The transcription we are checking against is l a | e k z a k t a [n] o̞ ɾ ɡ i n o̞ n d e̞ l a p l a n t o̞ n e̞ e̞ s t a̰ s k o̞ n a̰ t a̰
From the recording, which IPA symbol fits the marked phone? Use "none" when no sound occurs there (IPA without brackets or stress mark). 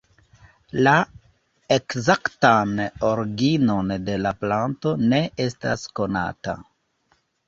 n